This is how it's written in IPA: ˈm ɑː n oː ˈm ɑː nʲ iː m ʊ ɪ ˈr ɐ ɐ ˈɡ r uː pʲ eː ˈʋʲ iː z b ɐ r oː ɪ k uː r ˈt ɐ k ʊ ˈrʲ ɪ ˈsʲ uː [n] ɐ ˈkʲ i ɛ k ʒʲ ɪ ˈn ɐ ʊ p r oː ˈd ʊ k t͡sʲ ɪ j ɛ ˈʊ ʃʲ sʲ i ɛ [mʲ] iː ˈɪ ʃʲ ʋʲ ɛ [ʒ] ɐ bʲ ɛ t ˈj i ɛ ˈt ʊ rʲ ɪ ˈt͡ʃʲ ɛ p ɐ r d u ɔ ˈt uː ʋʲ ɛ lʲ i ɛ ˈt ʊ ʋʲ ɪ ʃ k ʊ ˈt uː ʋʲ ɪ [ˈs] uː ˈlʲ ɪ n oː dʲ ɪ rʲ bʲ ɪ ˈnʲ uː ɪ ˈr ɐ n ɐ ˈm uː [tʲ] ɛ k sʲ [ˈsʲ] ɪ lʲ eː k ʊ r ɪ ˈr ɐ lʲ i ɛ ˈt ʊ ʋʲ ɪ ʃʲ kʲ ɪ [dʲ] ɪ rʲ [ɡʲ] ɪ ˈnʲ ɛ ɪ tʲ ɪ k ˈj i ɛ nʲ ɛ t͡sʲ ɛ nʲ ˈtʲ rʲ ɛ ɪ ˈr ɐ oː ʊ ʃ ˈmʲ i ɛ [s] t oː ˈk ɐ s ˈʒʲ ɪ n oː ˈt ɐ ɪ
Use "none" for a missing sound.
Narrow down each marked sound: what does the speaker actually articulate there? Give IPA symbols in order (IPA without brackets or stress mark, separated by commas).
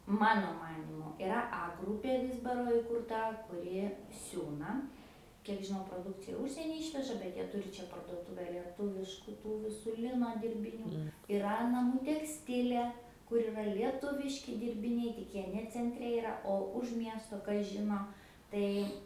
n, nʲ, ʒ, s, tʲ, tʲ, dʲ, bʲ, s